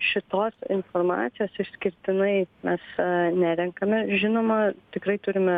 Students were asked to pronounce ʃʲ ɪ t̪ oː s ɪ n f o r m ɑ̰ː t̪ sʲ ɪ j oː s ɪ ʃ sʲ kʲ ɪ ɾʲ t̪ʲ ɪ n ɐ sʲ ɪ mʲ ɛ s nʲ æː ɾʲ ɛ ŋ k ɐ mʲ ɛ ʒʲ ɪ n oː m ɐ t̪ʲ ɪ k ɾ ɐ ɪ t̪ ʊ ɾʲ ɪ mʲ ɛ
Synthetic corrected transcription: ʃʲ ɪ t̪ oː s ɪ n f o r m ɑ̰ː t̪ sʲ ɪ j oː s ɪ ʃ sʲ kʲ ɪ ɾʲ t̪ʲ ɪ n ɐ ɪ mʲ ɛ s nʲ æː ɾʲ ɛ ŋ k ɐ mʲ ɛ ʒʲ ɪ n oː m ɐ t̪ʲ ɪ k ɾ ɐ ɪ t̪ ʊ ɾʲ ɪ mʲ ɛ